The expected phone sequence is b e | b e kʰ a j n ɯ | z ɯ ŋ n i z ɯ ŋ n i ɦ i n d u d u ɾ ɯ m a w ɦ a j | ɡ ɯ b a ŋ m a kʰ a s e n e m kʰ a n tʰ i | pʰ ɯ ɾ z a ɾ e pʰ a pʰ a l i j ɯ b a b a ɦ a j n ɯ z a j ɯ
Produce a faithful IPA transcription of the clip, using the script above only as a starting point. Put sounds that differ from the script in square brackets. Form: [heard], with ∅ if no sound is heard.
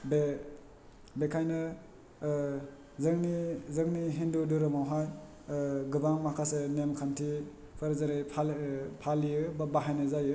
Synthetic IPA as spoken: b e | b e kʰ a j n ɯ | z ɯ ŋ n i z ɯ ŋ n i ɦ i n d u d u ɾ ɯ m a w ɦ a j | ɡ ɯ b a ŋ m a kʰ a s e n e m kʰ a n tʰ i | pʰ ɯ ɾ z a ɾ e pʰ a pʰ a l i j ɯ b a b a ɦ a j n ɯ z a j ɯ

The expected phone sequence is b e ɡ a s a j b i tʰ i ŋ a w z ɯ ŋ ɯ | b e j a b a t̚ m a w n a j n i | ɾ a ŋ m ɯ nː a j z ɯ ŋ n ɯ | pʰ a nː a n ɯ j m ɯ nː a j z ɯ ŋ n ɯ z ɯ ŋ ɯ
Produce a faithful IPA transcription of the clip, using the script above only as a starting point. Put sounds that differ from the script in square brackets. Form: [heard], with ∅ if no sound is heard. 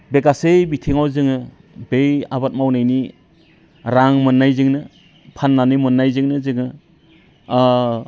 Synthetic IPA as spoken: b e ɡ a s [e] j b i tʰ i ŋ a w z ɯ ŋ ɯ | b e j a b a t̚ m a w n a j n i | ɾ a ŋ m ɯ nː a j z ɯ ŋ n ɯ | pʰ a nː a n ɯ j m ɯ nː a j z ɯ ŋ n ɯ z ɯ ŋ ɯ

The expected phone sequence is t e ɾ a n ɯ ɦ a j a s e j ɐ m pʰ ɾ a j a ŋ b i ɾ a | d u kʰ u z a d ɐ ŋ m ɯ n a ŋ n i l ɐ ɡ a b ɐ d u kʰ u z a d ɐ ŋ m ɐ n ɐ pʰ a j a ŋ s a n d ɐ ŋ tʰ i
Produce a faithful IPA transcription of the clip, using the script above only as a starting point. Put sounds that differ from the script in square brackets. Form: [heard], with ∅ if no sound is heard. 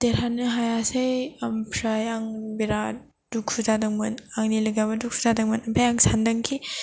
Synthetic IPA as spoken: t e ɾ a n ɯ ɦ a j a s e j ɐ m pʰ ɾ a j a ŋ b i ɾ a | d u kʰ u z a d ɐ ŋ m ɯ n a ŋ n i l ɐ ɡ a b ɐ d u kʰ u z a d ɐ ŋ m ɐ n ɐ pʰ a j a ŋ s a n d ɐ ŋ [kʰ] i

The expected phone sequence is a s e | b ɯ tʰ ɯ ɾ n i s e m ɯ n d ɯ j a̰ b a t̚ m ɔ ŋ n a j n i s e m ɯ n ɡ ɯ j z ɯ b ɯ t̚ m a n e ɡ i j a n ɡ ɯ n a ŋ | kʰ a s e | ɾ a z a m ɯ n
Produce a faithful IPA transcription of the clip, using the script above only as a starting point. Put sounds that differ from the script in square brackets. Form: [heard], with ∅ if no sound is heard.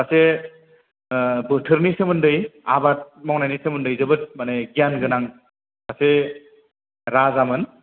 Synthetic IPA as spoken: a s e | b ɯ tʰ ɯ ɾ n i s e m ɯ n d ɯ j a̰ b a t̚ m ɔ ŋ n a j n i s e m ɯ n [d] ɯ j z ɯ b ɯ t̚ m a n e ɡ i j a n ɡ ɯ n a ŋ | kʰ a s e | ɾ a z a m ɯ n

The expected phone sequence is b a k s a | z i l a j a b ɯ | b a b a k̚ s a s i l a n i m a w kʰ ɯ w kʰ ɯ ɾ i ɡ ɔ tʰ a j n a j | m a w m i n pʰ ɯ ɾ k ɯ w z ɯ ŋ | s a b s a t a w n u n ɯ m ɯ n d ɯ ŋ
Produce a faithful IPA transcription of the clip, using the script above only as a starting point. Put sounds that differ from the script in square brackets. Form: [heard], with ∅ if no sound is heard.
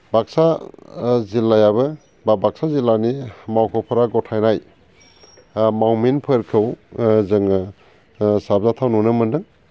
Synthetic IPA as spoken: b a k s a | z i l a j a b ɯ | b a b a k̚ s a [z] i l a n i m a w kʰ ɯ w [pʰ] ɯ ɾ [a] ɡ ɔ tʰ a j n a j | m a w m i n pʰ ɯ ɾ [kʰ] ɯ w z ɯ ŋ | s a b [z] a [tʰ] a w n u n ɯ m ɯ n d ɯ ŋ

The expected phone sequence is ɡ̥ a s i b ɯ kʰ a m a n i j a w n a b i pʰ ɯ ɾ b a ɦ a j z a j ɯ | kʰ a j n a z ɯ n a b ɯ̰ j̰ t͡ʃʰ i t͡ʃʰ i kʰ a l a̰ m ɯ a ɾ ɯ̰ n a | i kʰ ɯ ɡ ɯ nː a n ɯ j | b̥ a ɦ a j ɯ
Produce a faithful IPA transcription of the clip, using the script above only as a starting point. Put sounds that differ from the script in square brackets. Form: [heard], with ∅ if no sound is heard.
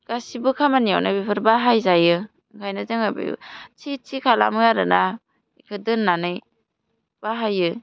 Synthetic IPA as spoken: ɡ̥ a s i b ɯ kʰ a m a n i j a w n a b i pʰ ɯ ɾ b a ɦ a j z a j ɯ | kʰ a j n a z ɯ [ŋ] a b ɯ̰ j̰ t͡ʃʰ i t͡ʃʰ i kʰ a l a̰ m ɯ a ɾ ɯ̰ n a | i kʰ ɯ [d] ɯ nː a n ɯ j | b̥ a ɦ a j ɯ

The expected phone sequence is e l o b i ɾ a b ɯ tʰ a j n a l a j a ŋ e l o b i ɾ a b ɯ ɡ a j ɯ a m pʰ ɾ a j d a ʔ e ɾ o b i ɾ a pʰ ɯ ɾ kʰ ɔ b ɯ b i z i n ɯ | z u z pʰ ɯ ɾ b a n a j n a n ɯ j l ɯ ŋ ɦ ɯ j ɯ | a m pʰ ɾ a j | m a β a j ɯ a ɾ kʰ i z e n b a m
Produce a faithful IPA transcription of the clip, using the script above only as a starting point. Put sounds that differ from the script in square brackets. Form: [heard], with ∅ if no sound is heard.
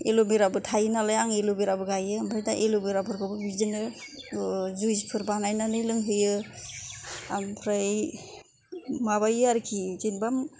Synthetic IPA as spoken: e l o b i ɾ a b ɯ tʰ a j n a l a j a ŋ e l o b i ɾ a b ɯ ɡ a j ɯ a m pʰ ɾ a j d a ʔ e [l] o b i ɾ a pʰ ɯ ɾ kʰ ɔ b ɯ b i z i n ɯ | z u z pʰ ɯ ɾ b a n a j n a n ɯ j l ɯ ŋ ɦ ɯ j ɯ | a m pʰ ɾ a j | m a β a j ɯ a ɾ kʰ i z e n b a m

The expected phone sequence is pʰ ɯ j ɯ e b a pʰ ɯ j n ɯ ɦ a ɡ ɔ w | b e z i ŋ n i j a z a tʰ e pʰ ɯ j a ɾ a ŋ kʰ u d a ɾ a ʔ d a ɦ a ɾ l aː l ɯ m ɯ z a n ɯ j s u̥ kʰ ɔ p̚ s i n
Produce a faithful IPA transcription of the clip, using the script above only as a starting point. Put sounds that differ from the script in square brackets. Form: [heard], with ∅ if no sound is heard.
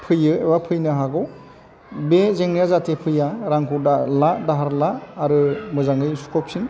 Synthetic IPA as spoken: pʰ ɯ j ɯ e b a pʰ ɯ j n ɯ ɦ a ɡ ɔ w | b e z [e] ŋ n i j a z a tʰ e pʰ ɯ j a ɾ a ŋ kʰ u d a [l] a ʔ d a ɦ a ɾ l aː [ɾ] ɯ m ɯ z a [ŋ] ɯ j s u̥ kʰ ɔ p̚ s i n

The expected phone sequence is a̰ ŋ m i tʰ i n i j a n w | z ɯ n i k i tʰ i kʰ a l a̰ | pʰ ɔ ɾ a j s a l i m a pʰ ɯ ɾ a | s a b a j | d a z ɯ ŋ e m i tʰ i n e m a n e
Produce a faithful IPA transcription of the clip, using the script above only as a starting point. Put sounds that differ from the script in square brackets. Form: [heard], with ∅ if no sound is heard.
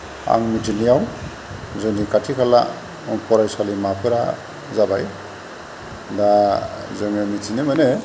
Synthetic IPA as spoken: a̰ ŋ m i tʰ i n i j a [∅] w | z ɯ n i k [a] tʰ i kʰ a l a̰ | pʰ ɔ ɾ a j s a l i m a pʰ ɯ ɾ a | [z] a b a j | d a z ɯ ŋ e m i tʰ i n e m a n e

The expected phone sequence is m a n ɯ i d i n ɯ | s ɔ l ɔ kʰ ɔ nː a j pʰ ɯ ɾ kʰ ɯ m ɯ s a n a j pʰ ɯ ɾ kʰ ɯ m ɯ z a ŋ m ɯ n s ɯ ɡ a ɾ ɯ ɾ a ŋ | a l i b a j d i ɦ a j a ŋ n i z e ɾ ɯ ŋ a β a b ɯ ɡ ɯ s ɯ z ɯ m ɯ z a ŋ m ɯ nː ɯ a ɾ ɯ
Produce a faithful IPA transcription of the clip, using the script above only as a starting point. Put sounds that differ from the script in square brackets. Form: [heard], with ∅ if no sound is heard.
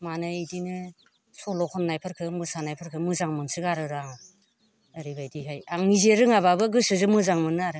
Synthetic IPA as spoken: m a n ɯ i d i n ɯ | s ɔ l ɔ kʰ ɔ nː a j pʰ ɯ ɾ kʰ ɯ m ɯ s a n a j pʰ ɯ ɾ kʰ ɯ m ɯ z a ŋ m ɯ n s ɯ ɡ a ɾ ɯ ɾ a ŋ | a [ɾ] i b a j d i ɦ a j a ŋ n i z e ɾ ɯ ŋ a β a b ɯ ɡ ɯ s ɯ z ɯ m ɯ z a ŋ m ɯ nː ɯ a ɾ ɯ

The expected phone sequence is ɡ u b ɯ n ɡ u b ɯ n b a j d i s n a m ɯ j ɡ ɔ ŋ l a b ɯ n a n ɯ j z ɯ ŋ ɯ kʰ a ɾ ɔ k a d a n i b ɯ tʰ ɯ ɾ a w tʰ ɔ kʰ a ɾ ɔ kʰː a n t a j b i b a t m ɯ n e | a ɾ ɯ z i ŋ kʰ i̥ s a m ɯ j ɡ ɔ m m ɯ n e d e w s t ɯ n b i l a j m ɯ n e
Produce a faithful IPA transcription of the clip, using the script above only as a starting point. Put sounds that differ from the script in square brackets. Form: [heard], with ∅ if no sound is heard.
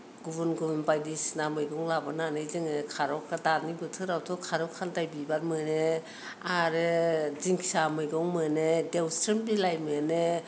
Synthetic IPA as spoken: ɡ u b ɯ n ɡ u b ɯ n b a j d i s n a m ɯ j ɡ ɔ ŋ l a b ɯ n a n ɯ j z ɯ ŋ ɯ kʰ a ɾ ɔ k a d a n i b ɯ tʰ ɯ ɾ a w tʰ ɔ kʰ a ɾ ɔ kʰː a n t a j b i b a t m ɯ n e | a ɾ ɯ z i ŋ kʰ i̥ s a m ɯ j ɡ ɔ [ŋ] m ɯ n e d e w s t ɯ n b i l a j m ɯ n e

